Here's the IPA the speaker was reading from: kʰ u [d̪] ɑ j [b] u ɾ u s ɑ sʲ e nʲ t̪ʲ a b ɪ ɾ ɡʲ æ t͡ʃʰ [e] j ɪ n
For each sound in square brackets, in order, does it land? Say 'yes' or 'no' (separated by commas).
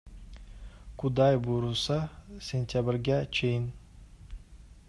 yes, yes, yes